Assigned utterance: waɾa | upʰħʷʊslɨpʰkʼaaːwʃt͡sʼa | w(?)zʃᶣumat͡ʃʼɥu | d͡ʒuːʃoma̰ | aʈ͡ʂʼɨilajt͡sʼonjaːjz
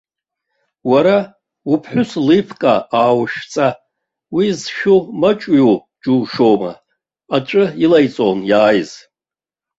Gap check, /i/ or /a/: i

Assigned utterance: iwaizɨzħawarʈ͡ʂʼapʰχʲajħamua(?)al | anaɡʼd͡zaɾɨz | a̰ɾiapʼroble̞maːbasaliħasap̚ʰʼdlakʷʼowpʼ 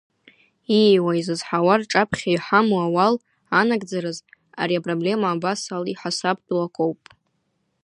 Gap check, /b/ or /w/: w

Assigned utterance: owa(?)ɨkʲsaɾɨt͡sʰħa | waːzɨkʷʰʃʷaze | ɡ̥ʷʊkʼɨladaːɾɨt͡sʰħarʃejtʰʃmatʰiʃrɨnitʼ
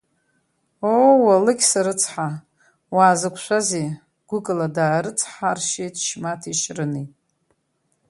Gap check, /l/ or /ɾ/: l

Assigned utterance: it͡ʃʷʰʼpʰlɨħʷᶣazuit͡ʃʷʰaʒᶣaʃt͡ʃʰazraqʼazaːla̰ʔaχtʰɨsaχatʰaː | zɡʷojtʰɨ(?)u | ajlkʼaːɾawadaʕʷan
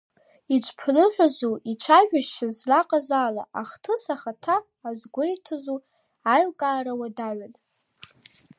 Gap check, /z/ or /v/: z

